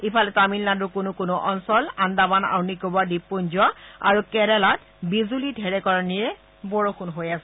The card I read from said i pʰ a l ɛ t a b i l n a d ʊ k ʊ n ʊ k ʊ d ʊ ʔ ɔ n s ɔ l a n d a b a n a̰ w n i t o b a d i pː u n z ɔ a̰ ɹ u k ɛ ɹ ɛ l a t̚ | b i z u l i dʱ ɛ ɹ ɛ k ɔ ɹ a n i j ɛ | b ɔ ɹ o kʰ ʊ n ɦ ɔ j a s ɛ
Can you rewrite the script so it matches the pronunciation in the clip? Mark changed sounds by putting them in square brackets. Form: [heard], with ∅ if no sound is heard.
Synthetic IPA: i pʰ a l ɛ t a [m] i l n a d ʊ k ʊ n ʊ k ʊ [n] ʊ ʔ ɔ n s ɔ l a n d a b a n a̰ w n i [k] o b a d i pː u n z ɔ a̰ ɹ u k ɛ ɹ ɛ l a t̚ | b i z u l i dʱ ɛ ɹ ɛ k ɔ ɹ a n i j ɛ | b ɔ ɹ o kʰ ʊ n ɦ [o] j a s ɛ

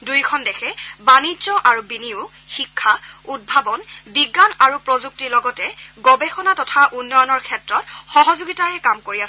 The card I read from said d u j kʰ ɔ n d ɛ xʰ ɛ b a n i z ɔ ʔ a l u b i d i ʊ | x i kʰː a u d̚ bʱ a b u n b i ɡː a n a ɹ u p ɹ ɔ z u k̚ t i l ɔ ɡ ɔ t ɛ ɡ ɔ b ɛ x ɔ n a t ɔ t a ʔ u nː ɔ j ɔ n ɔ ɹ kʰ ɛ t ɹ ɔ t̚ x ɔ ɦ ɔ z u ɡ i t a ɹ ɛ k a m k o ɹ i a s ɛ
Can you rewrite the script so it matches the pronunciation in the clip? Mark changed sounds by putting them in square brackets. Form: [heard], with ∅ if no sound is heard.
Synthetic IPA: d u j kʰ ɔ n d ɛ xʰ ɛ b a n i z ɔ ʔ a [ɹ] u b i [n] i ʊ | x i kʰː a u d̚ bʱ a b [ɔ] n b i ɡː a n a ɹ u p ɹ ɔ z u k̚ t i l ɔ ɡ ɔ t ɛ ɡ ɔ b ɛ x ɔ n a t ɔ [tʰ] a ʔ u nː ɔ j ɔ n ɔ ɹ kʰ ɛ t ɹ ɔ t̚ x ɔ ɦ ɔ z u ɡ i t a ɹ ɛ k a m k o ɹ i a s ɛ

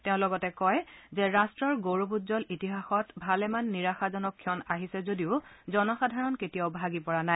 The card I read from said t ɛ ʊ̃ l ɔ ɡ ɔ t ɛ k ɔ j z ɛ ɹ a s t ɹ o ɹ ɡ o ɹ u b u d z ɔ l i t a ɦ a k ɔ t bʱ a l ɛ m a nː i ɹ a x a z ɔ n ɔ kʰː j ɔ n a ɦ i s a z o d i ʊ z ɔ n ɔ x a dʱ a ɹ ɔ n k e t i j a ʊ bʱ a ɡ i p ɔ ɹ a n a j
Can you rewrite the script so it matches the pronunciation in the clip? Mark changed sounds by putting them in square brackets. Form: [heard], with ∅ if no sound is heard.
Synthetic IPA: t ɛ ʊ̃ l ɔ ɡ ɔ t ɛ k ɔ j z ɛ ɹ a s t ɹ [ɔ] ɹ ɡ o ɹ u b u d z ɔ l i t [i] ɦ a [x] ɔ t bʱ a l ɛ m a nː i ɹ a x a z ɔ n ɔ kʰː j ɔ n a ɦ i s [ɛ] z o d i ʊ z ɔ n ɔ x a dʱ a ɹ ɔ n k e t i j a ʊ bʱ a ɡ i p ɔ ɹ a n a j

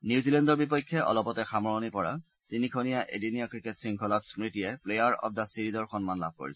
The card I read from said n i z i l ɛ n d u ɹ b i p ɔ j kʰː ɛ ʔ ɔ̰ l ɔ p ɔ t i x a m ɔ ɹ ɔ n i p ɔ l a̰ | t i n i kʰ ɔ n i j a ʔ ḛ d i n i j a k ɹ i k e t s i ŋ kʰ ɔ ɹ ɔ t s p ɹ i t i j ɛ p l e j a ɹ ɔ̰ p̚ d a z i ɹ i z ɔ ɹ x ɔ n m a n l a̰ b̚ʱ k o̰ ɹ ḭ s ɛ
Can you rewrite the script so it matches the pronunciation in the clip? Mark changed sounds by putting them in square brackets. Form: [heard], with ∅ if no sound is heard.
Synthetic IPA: n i z i l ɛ n d [ɔ] ɹ b i p ɔ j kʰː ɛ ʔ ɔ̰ l ɔ p ɔ t [ɛ] x a m ɔ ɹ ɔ n i p ɔ [ɹ] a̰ | t i n i kʰ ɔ n i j a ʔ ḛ d i n i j a k ɹ i k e t s i ŋ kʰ ɔ [l] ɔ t s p ɹ i t i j ɛ p l e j a ɹ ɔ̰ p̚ d a [s] i ɹ i z ɔ ɹ x ɔ n m a n l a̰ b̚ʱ k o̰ ɹ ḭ s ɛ

